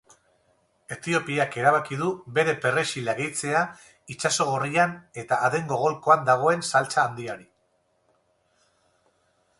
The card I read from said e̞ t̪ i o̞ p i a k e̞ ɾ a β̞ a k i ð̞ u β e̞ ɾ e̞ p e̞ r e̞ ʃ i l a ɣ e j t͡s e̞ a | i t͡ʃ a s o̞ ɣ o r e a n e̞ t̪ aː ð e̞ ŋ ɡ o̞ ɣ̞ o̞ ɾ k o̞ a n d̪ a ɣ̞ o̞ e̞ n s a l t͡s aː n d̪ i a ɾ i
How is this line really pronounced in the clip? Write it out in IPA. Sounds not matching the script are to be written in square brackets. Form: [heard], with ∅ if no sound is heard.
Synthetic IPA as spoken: e̞ t̪ i o̞ p i a k e̞ ɾ a β̞ a k i ð̞ u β e̞ ɾ e̞ p e̞ r e̞ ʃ i l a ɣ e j t͡s e̞ a | i t͡ʃ a s o̞ ɣ o r [i] a n e̞ t̪ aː ð e̞ ŋ ɡ o̞ ɣ̞ o̞ [l] k o̞ a n d̪ a ɣ̞ o̞ e̞ n s a l t͡s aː n d̪ i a ɾ i

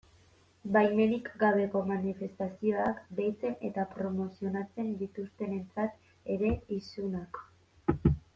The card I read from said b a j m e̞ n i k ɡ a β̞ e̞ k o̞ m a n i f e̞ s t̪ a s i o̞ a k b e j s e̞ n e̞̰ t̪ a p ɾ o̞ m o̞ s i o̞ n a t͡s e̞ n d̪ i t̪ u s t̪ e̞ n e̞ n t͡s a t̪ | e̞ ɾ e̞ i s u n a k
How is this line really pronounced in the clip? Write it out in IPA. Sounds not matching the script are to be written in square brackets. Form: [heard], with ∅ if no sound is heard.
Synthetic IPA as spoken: b a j m e̞ n i k ɡ a β̞ e̞ k o̞ m a n i f e̞ s t̪ a s i o̞ a k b e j [t͡s] e̞ n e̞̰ t̪ a p ɾ o̞ m o̞ s i o̞ n a t͡s e̞ n d̪ i t̪ u s t̪ e̞ n e̞ n t͡s a t̪ | e̞ ɾ e̞ i s u n a k

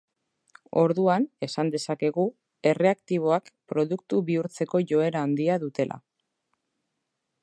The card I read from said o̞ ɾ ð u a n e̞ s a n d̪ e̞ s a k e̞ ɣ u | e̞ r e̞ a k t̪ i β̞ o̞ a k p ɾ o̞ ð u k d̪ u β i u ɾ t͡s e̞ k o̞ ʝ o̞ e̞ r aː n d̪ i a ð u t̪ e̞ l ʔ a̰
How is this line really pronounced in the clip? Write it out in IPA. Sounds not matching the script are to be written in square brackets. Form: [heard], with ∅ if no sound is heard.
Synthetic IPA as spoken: o̞ ɾ ð u a n e̞ s a n d̪ e̞ s a k e̞ ɣ u | e̞ r e̞ a k t̪ i β̞ o̞ a k p ɾ o̞ ð u k [t̪] u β i u ɾ t͡s e̞ k o̞ ʝ o̞ e̞ [ɾ] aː n d̪ i a ð u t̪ e̞ l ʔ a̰

